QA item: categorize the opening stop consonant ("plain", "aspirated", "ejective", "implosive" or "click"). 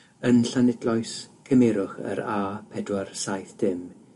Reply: plain